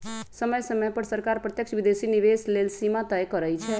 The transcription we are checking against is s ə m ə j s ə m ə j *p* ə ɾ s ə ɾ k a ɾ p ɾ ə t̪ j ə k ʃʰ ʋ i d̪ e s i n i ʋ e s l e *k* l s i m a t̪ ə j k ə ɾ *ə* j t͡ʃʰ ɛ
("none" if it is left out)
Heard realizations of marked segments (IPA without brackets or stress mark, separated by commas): p, none, ə